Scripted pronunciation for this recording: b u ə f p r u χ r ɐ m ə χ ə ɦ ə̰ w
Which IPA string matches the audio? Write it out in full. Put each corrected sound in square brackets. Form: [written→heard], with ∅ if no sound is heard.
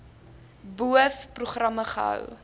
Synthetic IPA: b u ə f p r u χ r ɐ m ə χ ə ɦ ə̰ w

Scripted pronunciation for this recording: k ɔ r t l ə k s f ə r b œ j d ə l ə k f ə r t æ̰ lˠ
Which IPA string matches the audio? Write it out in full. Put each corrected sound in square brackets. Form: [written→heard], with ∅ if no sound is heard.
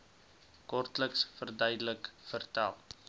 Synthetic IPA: k ɔ r t l ə k s f ə r [b→d] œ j d ə l ə k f ə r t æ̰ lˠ

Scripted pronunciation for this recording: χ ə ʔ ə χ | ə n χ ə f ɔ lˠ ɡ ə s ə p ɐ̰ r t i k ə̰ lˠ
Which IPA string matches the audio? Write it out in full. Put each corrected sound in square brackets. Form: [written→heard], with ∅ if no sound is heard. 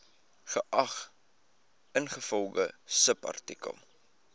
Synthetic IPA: χ ə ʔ [ə→ɐ] χ | ə n χ ə f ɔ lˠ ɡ ə s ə p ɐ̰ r t i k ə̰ lˠ

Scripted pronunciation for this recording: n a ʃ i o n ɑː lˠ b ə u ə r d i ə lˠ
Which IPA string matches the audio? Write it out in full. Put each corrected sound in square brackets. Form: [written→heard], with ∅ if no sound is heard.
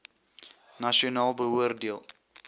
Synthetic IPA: n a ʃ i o n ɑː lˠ b ə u ə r d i ə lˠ

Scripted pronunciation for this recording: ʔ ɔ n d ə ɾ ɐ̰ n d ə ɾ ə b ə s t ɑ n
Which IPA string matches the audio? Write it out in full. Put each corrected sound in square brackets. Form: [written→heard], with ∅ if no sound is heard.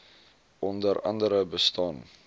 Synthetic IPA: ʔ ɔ n d ə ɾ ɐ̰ n d ə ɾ ə b ə s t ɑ n

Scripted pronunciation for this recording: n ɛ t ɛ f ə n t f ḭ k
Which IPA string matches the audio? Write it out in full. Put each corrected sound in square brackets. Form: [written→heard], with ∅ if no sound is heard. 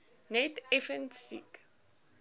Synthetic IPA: n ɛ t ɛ f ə n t [f→s] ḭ k

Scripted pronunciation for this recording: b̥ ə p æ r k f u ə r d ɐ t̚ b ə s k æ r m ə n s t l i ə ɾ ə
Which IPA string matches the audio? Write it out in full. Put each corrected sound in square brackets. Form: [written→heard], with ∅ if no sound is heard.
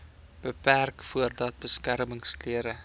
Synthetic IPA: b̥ ə p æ r k f u ə r d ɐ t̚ b ə s k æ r m ə [n→ŋ] s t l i ə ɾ ə

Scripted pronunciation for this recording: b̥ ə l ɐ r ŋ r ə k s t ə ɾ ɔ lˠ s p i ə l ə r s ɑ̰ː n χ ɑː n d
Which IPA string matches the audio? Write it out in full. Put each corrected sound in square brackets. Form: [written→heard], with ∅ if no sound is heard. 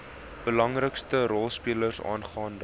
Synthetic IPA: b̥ ə l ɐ [r→∅] ŋ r ə k s t ə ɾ ɔ lˠ s p i ə l ə r s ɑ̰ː n χ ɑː n d

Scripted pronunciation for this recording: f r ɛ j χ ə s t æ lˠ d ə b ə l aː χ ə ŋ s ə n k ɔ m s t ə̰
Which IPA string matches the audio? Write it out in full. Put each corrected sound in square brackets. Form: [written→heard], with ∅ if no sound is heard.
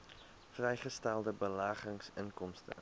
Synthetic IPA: f r ɛ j χ ə s t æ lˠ d ə b ə l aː χ ə ŋ s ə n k ɔ m s t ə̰

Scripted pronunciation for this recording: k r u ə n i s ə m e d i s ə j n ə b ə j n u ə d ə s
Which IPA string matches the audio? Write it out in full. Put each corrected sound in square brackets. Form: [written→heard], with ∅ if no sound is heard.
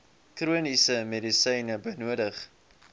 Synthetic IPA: k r u ə n i s ə m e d i s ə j n ə b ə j n u ə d ə [s→χ]

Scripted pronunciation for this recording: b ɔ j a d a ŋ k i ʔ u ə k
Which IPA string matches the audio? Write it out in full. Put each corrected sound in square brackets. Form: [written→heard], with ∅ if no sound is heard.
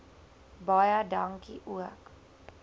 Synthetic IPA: b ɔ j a d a ŋ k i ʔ u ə k

